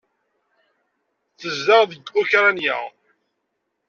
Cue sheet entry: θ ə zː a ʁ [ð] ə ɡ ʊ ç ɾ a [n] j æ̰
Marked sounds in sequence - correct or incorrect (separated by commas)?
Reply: correct, correct